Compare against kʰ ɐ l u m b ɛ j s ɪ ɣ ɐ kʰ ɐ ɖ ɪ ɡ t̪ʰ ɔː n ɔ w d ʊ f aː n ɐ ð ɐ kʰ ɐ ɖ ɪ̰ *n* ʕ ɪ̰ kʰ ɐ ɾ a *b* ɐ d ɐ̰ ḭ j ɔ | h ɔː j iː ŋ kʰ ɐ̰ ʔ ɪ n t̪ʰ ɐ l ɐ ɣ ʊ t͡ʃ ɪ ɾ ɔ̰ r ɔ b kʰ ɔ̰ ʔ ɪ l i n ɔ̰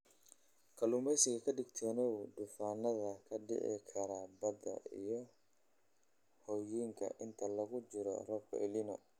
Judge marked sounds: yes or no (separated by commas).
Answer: no, yes